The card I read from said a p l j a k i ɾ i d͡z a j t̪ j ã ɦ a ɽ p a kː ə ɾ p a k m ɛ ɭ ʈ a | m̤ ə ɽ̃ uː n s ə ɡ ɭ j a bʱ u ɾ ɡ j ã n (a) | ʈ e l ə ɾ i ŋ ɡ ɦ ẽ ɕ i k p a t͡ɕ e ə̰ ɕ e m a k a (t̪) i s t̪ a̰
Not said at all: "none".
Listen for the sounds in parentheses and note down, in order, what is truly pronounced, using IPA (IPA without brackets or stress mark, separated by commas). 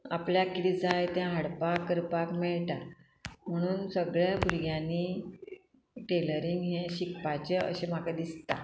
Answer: i, d̪